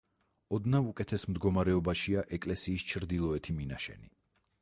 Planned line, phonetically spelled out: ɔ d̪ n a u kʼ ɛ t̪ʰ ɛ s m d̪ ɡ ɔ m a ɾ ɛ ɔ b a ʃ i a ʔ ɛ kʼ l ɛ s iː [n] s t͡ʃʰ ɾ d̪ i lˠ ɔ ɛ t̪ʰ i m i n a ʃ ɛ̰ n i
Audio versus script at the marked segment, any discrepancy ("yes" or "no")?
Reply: yes